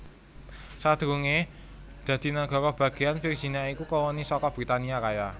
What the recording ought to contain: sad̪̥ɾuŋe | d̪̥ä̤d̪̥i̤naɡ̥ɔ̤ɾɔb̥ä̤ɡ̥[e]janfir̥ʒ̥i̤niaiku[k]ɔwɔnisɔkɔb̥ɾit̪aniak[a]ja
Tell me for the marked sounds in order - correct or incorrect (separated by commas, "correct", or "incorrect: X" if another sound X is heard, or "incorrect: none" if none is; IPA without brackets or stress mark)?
correct, correct, correct